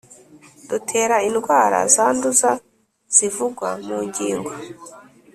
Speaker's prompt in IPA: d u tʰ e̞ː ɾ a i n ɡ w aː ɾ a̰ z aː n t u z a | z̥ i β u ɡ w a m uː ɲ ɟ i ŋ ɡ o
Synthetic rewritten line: d u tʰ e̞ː ɾ a i n ɡ w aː ɾ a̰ z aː n d u z a | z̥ i v u ɡ w a m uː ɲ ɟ iː ŋ ɡ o